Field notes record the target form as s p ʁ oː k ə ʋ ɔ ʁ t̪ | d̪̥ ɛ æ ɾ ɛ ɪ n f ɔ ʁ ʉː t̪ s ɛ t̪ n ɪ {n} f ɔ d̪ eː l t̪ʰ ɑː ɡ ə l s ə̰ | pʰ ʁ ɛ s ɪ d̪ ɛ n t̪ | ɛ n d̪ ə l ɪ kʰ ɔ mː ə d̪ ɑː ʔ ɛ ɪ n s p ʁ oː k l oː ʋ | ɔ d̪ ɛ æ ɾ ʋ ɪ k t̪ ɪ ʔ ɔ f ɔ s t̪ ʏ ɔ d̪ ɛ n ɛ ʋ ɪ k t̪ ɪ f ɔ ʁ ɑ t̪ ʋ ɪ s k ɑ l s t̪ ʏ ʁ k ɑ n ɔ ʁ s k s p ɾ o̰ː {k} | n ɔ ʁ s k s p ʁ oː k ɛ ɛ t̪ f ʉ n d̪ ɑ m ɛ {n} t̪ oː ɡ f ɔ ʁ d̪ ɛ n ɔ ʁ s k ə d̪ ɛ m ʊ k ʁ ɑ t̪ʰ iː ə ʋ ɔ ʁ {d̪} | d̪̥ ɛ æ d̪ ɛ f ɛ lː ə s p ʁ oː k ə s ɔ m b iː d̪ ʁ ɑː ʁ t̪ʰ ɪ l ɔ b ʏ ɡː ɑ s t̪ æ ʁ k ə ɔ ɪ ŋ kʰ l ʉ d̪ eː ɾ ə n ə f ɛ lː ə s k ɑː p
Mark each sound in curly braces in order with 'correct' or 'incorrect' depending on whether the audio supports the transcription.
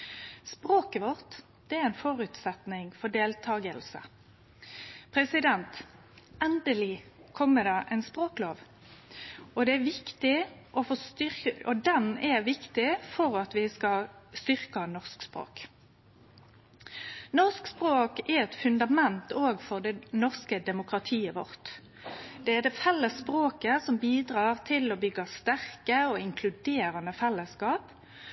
incorrect, correct, correct, incorrect

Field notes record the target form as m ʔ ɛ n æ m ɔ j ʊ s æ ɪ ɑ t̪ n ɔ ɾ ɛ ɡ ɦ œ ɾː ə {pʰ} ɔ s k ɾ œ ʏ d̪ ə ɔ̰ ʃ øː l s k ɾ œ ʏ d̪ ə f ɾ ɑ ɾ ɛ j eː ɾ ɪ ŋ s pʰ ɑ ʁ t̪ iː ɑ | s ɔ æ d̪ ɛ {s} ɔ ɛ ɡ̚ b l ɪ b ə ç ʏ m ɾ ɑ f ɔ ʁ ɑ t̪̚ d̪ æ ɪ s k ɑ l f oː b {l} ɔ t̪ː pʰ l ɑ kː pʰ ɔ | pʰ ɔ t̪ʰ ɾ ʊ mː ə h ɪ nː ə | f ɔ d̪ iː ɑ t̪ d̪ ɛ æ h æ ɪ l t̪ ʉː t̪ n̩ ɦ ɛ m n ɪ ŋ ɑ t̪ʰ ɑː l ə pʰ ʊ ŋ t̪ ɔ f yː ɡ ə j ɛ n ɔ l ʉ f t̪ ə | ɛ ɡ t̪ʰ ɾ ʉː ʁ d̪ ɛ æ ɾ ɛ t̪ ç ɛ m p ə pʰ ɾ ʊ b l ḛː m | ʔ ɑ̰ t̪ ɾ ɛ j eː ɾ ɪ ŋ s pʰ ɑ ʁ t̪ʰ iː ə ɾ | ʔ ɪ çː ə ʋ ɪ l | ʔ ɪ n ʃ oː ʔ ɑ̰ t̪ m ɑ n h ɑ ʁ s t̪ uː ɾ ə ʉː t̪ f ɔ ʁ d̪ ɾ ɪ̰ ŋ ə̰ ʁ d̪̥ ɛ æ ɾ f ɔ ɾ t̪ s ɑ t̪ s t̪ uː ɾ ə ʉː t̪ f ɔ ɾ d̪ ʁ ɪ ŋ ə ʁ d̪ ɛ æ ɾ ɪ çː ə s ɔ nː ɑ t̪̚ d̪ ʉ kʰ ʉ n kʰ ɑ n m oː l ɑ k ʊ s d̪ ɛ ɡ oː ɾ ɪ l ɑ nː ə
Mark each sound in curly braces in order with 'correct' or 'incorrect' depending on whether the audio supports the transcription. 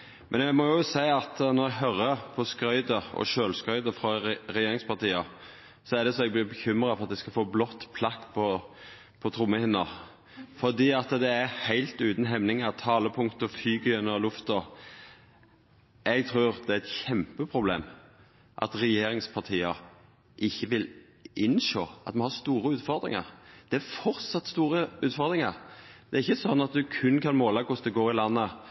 correct, correct, correct

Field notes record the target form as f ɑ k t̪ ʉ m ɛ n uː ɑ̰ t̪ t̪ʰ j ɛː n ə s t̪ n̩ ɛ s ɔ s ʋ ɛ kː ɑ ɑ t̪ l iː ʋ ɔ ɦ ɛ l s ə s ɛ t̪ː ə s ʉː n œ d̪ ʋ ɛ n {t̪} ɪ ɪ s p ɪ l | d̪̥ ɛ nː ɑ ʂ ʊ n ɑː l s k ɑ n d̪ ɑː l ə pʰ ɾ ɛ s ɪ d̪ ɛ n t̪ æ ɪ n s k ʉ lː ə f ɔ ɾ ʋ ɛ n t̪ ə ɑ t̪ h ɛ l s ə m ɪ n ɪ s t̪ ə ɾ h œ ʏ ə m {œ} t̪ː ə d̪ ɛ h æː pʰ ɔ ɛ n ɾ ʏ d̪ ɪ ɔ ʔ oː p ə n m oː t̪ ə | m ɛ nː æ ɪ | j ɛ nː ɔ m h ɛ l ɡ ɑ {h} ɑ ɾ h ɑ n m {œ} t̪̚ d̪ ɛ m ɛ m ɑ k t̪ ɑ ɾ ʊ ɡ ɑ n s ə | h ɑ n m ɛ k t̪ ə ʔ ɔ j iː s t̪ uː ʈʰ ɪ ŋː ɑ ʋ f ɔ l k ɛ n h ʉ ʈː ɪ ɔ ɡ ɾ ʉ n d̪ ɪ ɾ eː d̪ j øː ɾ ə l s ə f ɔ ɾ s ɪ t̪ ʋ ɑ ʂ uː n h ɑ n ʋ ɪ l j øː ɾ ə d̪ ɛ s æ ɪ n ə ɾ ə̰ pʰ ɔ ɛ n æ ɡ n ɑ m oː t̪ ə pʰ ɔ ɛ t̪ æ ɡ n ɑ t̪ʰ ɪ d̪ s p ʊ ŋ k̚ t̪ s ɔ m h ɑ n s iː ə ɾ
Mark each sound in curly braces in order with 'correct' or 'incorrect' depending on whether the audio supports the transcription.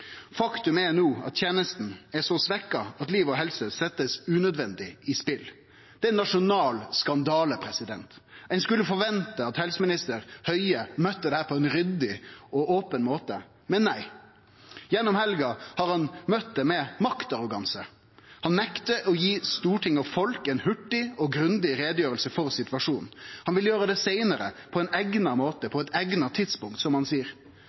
incorrect, correct, correct, correct

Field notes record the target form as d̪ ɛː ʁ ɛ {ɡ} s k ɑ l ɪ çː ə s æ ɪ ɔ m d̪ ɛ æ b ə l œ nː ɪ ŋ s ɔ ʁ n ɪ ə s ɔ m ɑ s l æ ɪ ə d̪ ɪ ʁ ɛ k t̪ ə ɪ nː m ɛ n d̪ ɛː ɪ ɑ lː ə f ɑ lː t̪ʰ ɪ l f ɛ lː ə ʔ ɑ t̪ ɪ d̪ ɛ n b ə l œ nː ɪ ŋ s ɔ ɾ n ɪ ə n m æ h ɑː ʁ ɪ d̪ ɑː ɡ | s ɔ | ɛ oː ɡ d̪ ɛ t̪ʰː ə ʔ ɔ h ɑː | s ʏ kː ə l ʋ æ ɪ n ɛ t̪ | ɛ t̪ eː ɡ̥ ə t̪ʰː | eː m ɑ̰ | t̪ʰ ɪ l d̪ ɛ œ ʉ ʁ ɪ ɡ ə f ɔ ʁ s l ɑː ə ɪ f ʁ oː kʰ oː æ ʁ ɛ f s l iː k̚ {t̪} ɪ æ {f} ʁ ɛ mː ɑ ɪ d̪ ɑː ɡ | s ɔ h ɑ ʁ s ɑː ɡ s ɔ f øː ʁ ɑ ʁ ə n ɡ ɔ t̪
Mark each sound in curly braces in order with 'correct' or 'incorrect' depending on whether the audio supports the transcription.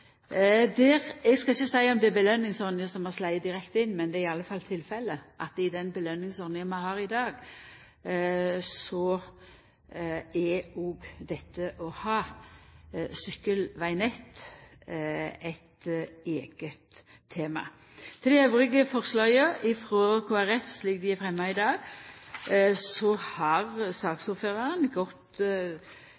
correct, incorrect, correct

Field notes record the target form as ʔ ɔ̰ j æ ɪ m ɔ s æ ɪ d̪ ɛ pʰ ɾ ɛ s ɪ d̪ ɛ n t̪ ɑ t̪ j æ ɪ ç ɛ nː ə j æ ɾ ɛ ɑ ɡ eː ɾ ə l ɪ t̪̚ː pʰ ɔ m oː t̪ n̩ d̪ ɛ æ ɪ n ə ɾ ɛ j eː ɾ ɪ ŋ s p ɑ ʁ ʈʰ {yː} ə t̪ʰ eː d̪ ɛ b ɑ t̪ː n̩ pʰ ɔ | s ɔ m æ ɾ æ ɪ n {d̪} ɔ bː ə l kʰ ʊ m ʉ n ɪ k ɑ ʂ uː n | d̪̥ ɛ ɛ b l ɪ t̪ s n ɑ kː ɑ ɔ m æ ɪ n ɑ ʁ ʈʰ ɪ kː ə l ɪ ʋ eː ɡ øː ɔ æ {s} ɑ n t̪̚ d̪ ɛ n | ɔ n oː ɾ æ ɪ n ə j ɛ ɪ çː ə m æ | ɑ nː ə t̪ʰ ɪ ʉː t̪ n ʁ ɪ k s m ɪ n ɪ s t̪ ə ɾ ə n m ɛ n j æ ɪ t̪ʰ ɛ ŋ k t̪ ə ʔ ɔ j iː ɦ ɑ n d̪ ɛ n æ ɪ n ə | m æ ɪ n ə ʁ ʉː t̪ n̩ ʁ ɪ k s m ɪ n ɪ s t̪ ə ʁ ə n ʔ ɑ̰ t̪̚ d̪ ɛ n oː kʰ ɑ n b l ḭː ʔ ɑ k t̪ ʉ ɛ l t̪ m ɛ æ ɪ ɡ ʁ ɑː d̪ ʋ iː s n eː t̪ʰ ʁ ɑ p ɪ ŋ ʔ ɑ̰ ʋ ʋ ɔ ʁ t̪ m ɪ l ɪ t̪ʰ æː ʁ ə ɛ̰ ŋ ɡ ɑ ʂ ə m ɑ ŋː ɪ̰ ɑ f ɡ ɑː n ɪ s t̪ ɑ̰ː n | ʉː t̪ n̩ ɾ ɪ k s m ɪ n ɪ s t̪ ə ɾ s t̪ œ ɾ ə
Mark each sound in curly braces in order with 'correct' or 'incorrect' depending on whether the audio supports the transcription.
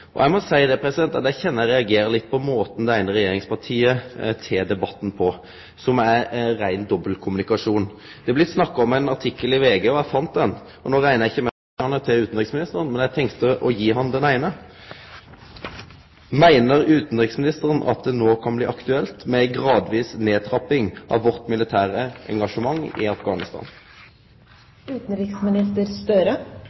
incorrect, correct, incorrect

